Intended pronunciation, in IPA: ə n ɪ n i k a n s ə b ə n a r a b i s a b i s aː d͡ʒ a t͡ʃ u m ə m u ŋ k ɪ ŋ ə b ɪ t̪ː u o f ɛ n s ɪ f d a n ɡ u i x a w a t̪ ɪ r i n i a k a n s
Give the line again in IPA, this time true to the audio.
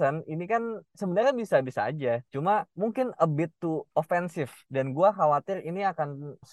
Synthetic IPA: ə n i n i k a n s ə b ə n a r a b i s a b i s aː d͡ʒ a t͡ʃ u m a m u ŋ k ɪ n ə b ɪ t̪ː u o f ɛ n s ɪ f d a n ɡ u a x a w a t̪ ɪ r i n i a k a n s